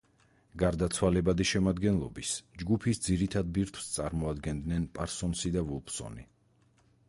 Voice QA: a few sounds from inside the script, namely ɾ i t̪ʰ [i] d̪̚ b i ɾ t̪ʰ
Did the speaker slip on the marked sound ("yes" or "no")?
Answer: yes